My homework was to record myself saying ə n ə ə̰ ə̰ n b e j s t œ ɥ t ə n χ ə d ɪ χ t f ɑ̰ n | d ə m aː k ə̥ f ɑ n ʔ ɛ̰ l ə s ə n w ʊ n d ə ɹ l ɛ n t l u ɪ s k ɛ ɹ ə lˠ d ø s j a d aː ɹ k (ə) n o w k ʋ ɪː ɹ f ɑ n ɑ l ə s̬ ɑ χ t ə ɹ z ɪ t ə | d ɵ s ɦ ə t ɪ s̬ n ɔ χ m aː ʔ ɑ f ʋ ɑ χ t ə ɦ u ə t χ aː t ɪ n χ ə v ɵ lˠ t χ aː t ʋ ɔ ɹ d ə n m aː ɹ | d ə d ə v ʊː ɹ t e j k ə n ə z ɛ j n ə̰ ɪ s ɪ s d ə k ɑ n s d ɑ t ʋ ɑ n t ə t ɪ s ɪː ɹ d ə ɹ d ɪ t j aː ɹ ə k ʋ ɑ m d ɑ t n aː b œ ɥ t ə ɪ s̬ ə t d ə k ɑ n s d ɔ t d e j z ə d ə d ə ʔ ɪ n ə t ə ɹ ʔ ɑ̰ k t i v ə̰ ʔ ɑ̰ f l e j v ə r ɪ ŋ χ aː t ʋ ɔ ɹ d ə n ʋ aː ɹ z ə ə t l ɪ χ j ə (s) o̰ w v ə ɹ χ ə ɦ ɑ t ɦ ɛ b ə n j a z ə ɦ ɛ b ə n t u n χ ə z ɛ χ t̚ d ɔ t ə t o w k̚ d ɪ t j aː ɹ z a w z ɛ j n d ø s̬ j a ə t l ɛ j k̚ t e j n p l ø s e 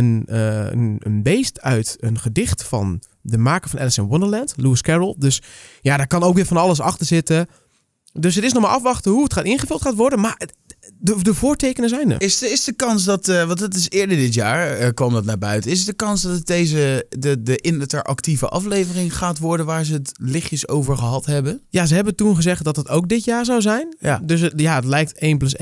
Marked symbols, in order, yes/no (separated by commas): no, yes